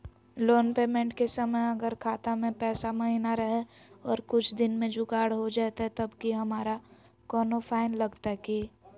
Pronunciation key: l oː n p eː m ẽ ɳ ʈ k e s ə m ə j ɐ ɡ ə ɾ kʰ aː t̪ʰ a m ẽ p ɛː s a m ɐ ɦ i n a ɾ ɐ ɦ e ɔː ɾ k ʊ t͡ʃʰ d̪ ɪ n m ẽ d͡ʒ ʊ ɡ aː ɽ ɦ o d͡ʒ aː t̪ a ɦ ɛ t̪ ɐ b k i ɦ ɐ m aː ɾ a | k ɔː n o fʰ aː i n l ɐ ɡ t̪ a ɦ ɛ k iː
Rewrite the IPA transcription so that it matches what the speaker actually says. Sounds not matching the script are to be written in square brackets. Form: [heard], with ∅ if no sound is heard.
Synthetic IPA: l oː n p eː m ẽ ɳ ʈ k e s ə m ə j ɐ ɡ ə ɾ kʰ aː [t̪] a m ẽ p ɛː s a m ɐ ɦ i n a ɾ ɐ ɦ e ɔː ɾ k ʊ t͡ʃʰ d̪ ɪ n m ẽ d͡ʒ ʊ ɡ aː ɽ ɦ o d͡ʒ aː t̪ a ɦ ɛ t̪ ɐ b k i ɦ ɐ m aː ɾ a | k ɔː n o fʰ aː [ɪ] n l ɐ ɡ t̪ a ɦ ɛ k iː